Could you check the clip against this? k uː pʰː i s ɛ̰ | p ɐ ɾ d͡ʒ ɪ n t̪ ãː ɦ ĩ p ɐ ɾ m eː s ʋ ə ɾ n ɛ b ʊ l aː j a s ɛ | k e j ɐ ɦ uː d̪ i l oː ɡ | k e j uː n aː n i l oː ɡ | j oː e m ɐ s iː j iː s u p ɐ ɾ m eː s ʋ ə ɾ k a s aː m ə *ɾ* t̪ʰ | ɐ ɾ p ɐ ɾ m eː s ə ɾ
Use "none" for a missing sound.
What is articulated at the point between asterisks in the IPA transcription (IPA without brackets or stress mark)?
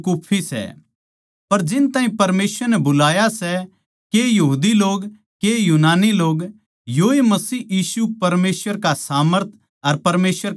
ɾ